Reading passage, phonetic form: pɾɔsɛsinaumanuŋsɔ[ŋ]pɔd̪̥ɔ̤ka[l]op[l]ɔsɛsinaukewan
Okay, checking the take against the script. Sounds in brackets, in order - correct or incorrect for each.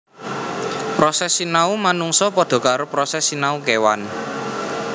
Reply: incorrect, incorrect, incorrect

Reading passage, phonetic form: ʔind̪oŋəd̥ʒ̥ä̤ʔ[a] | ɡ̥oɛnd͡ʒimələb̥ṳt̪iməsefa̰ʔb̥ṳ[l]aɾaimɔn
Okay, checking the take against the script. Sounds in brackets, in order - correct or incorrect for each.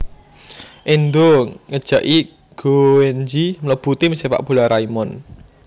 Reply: incorrect, correct

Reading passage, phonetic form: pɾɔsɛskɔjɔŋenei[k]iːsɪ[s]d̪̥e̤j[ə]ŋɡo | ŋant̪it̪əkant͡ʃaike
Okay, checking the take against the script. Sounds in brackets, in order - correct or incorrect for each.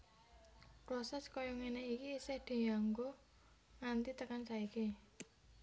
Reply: correct, incorrect, incorrect

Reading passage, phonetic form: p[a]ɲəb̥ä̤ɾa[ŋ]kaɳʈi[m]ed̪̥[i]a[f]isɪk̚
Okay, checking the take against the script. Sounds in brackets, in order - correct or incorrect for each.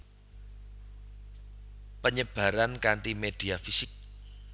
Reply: incorrect, incorrect, correct, correct, correct

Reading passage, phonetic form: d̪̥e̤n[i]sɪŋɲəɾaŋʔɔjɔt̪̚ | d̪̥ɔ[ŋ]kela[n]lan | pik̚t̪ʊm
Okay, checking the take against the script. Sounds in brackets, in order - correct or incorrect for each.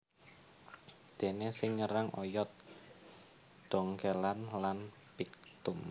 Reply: incorrect, correct, correct

